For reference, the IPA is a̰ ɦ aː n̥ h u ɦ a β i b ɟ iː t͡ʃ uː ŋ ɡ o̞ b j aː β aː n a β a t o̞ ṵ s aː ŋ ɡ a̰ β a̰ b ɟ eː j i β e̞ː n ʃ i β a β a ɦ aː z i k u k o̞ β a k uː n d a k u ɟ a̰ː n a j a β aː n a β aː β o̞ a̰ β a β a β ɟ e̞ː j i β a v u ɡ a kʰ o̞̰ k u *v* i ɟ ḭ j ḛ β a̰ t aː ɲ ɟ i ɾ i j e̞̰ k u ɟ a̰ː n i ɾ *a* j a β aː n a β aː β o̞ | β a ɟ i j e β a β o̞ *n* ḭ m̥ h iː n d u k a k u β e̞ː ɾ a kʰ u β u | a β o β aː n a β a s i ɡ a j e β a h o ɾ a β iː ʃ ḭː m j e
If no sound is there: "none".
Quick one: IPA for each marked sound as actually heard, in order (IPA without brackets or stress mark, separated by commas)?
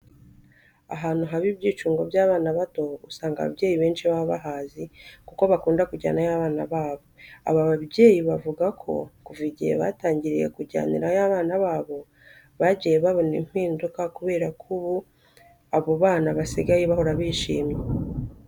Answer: v, a, n